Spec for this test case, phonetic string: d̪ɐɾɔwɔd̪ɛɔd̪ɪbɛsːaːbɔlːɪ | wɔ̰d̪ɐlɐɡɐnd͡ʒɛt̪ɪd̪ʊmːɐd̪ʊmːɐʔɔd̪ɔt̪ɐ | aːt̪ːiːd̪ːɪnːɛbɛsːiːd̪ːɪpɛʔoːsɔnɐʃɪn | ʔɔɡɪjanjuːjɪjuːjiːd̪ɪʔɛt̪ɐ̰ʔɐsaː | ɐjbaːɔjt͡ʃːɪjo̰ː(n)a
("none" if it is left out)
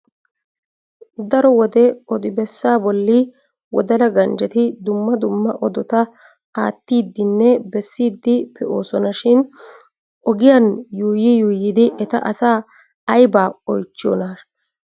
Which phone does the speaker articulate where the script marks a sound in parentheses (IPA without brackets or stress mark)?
n